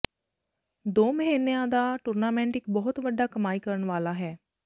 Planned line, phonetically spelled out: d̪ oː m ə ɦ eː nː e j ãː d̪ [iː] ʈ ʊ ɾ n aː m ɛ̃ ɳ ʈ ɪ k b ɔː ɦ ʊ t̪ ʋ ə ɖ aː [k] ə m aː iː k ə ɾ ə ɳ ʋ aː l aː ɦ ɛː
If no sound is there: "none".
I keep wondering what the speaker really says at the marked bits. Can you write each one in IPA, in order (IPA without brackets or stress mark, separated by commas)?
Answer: aː, k